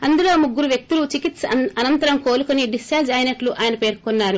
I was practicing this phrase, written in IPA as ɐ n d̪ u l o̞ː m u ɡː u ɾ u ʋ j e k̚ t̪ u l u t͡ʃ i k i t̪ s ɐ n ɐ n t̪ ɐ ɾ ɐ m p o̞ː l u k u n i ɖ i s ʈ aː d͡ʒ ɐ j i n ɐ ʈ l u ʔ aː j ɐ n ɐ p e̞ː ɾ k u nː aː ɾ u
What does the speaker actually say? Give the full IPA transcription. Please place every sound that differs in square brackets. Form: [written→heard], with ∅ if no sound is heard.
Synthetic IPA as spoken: ɐ n d̪ u l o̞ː m u ɡː u ɾ u ʋ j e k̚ t̪ u l u t͡ʃ i k i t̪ s ɐ n ɐ n t̪ ɐ ɾ ɐ m [p→k] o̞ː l u k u n i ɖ i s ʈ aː d͡ʒ ɐ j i n ɐ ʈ l u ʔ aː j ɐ n ɐ p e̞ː ɾ k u nː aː ɾ u